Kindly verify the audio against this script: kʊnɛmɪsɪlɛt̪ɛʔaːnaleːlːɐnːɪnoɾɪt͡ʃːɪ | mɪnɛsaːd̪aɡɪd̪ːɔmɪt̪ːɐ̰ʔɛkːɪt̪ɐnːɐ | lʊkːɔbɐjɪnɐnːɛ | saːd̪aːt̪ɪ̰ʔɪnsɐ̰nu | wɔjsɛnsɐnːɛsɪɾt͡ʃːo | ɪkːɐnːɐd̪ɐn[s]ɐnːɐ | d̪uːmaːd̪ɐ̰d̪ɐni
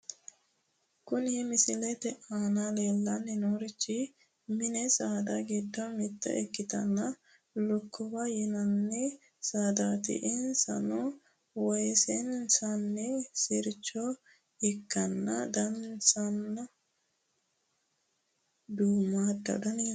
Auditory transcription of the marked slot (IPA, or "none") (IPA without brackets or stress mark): s